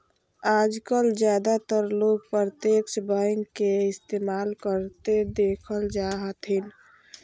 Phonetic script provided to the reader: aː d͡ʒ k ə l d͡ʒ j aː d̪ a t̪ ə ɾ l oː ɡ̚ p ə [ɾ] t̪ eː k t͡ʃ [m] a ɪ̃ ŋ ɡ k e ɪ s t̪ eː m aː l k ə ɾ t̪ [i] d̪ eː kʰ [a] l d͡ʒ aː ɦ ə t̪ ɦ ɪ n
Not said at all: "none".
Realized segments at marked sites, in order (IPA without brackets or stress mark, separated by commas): ɾ, b, e, ə